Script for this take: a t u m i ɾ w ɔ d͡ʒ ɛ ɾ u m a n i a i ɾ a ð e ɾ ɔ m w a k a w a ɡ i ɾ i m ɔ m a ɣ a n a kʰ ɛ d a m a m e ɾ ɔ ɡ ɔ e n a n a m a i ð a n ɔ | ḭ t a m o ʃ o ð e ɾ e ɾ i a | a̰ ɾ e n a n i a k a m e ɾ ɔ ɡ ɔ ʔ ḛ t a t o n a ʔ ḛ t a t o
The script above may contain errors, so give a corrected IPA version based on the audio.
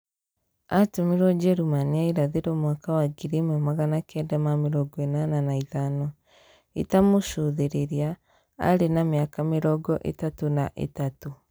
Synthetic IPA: a t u m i ɾ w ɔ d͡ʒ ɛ ɾ u m a n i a i ɾ a ð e ɾ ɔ m w a k a w a ɡ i ɾ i m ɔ m a ɣ a n a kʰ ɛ d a m a m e ɾ ɔ ɡ ɔ e n a n a n a i ð a n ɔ | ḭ t a m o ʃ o ð e ɾ e ɾ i a | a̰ ɾ e n a m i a k a m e ɾ ɔ ɡ ɔ ʔ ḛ t a t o n a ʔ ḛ t a t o

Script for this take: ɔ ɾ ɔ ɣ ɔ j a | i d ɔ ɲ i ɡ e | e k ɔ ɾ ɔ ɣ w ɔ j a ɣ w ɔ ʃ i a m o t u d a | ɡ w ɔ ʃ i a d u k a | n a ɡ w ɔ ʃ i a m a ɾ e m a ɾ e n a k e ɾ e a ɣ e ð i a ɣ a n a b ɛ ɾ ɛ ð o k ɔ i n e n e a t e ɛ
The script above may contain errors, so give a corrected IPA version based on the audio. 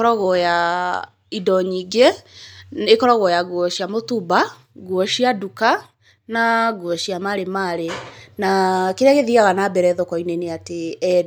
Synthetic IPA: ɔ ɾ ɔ ɣ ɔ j a | i d ɔ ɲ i ɡ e | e k ɔ ɾ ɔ ɣ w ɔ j a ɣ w ɔ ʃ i a m o t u b a | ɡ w ɔ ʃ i a d u k a | n a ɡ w ɔ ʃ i a m a ɾ e m a ɾ e n a k e ɾ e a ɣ e ð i a ɣ a n a b ɛ ɾ ɛ ð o k ɔ i n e n e a t e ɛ

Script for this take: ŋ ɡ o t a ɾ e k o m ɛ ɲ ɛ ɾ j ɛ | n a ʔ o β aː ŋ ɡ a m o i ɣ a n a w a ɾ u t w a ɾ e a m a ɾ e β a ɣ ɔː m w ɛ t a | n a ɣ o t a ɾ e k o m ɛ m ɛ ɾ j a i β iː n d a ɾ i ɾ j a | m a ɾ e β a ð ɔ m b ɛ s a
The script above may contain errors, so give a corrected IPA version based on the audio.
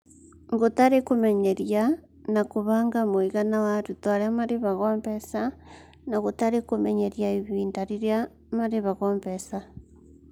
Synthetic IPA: ŋ ɡ o t a ɾ e k o m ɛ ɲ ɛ ɾ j a | n a k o β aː ŋ ɡ a m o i ɣ a n a w a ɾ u t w a ɾ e a m a ɾ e β a ɣ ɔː m b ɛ s a | n a ɣ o t a ɾ e k o m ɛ ɲ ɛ ɾ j a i β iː n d a ɾ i ɾ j a | m a ɾ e β a ɣ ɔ m b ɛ s a

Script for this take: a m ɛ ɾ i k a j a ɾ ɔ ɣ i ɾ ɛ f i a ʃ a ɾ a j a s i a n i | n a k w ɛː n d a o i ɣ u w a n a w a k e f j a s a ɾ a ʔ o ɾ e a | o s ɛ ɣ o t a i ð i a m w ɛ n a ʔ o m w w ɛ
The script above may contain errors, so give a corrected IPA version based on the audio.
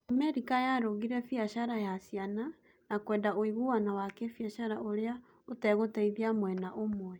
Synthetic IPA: a m ɛ ɾ i k a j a ɾ o ɣ i ɾ ɛ f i a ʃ a ɾ a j a s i a n a | n a k w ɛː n d a o i ɣ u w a n a w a k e f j a ʃ a ɾ a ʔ o ɾ e a | o t ɛ ɣ o t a i ð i a m w ɛ n a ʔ o m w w ɛ

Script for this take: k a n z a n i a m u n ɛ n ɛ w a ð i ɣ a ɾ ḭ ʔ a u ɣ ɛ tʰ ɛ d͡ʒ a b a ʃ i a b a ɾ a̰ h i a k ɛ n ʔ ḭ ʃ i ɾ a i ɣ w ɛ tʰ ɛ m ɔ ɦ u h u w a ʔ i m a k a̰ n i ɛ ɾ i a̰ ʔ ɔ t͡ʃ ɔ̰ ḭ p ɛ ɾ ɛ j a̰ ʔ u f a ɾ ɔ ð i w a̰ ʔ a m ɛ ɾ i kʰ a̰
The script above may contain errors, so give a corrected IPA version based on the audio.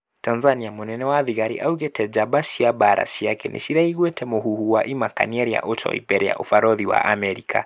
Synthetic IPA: t a n z a n i a m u n ɛ n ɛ w a ð i ɣ a ɾ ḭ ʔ a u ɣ ɛ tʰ ɛ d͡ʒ a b a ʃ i a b a ɾ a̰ ʃ i a k ɛ n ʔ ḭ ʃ i ɾ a i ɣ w ɛ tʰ ɛ m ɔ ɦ u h u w a ʔ i m a k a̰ n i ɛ ɾ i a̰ ʔ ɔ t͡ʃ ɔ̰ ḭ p ɛ ɾ ɛ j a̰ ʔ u f a ɾ ɔ ð i w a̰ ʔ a m ɛ ɾ i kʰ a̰

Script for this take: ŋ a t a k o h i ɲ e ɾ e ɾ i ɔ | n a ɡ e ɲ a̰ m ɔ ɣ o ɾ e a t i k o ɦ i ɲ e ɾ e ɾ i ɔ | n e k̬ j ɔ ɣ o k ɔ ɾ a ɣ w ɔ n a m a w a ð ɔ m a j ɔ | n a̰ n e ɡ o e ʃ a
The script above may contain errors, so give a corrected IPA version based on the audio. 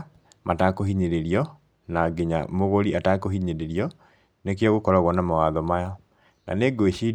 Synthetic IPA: m a t a k o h i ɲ e ɾ e ɾ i ɔ | n a ɡ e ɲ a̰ m o ɣ o ɾ i a t a k o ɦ i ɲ e ɾ e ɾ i ɔ | n e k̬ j ɔ ɣ o k ɔ ɾ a ɣ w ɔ n a m a w a ð ɔ m a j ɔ | n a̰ n e ɡ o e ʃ i

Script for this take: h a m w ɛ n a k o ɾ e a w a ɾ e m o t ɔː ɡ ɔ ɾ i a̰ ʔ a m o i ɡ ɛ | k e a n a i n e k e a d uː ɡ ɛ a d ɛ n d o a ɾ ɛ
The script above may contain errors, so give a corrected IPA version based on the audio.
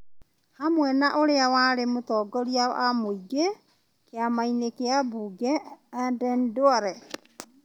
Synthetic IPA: h a m w ɛ n a ʔ o ɾ e a w a ɾ e m o t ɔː ɡ ɔ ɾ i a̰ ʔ a m o i ɡ e | k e a m a i n e k e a b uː ɡ ɛ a d ɛ n d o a ɾ ɛ

